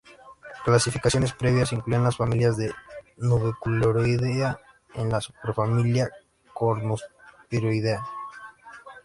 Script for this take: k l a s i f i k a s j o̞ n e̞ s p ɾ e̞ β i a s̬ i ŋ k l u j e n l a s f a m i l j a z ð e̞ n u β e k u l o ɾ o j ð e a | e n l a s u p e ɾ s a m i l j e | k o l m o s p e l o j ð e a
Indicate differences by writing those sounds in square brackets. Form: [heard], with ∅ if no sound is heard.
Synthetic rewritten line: k l a s i f i k a s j o̞ n e̞ s p ɾ e̞ β [j] a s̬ i ŋ k l u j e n l a s f a m i l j a z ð e̞ n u β e k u l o ɾ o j ð e a | e n l a s u p e ɾ [f] a m i l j [a] | k o [ɾ] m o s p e [ɾ] o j ð e a